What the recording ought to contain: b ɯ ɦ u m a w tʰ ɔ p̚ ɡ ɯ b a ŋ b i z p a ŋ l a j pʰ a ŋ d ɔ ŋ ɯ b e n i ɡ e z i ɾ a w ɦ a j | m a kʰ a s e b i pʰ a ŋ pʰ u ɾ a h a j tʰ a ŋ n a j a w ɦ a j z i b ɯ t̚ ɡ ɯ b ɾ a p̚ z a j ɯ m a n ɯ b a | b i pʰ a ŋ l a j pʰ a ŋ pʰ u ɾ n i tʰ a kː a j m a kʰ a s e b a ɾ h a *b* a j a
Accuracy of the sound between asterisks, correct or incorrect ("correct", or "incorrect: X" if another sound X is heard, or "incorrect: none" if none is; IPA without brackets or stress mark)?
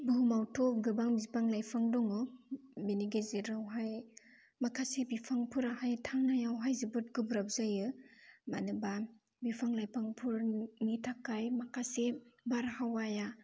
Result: incorrect: w